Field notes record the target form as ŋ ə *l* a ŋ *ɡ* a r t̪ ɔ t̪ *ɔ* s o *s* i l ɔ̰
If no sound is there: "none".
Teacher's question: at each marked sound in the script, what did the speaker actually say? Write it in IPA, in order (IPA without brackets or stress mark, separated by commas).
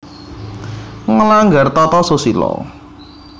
l, ɡ, ɔ, s